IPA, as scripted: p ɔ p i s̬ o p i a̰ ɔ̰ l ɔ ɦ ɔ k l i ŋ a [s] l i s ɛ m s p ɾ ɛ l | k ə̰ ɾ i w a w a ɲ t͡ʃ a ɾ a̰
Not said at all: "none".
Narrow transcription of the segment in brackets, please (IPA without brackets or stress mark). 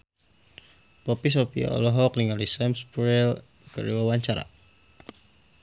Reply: none